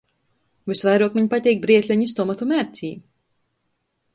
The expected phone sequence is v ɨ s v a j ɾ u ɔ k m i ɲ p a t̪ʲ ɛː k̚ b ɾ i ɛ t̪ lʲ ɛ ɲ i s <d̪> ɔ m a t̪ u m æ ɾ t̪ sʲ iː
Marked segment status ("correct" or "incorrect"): incorrect